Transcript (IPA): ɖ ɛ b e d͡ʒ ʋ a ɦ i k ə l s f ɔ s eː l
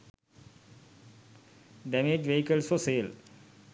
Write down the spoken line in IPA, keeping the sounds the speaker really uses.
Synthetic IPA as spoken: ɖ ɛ m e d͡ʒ ʋ e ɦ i k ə l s f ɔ s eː l